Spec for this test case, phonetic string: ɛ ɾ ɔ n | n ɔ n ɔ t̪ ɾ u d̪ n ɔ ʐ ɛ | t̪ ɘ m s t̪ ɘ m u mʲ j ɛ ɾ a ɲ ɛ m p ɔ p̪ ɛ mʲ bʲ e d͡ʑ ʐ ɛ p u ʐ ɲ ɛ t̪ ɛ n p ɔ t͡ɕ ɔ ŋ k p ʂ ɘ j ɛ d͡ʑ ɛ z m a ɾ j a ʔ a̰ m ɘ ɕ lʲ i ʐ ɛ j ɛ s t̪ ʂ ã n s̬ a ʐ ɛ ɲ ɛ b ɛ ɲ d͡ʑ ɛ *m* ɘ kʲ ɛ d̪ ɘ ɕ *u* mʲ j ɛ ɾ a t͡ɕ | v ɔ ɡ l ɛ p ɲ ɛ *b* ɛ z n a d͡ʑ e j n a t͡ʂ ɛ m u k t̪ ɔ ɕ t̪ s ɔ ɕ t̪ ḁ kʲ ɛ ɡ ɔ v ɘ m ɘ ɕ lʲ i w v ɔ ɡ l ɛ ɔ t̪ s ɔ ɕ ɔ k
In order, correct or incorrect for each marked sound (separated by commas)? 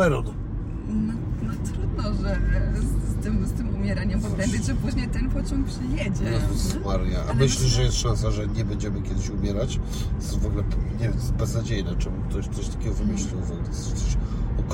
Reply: correct, correct, correct